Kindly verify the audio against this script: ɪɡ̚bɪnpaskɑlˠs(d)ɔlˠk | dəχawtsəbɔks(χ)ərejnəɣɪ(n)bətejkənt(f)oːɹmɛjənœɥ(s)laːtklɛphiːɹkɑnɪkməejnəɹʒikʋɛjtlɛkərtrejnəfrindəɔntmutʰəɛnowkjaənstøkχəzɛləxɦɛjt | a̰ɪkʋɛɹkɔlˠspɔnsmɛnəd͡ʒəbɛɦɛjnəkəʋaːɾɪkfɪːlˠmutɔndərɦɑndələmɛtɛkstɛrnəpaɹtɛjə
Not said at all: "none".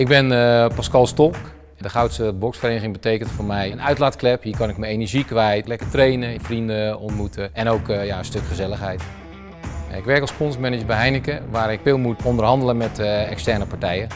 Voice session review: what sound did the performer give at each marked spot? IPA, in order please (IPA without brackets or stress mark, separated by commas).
t, f, ŋ, f, t